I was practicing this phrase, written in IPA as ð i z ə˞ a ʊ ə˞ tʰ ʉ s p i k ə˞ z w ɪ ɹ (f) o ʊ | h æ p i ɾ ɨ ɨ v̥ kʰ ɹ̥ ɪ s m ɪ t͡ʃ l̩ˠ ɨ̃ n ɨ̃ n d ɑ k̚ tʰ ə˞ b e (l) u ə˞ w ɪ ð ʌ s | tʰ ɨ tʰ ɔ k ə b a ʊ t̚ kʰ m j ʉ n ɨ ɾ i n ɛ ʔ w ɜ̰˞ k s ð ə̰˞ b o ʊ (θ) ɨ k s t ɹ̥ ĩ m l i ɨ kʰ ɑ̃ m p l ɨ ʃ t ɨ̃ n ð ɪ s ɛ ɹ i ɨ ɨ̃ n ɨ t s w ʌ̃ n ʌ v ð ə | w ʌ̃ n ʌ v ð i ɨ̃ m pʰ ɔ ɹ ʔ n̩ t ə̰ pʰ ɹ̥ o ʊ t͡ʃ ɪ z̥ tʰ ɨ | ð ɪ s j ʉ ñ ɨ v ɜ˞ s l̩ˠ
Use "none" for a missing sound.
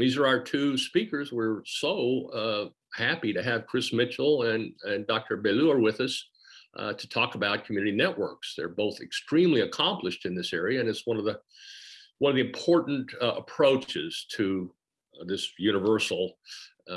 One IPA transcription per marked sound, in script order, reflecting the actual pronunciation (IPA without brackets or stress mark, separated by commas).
s, l, θ